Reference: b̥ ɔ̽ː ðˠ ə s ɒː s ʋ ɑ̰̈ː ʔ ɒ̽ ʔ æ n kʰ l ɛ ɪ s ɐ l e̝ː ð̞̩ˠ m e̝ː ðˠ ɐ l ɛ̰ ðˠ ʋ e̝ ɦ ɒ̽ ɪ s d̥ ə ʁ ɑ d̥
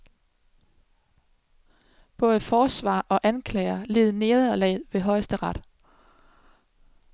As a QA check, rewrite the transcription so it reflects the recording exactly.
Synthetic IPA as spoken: b̥ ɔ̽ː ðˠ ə f ɒː s ʋ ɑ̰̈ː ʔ ɒ̽ ʔ æ n kʰ l ɛ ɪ ɐ l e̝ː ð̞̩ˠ n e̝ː ðˠ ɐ l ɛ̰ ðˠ ʋ e̝ ɦ ɒ̽ ɪ s d̥ ə ʁ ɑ d̥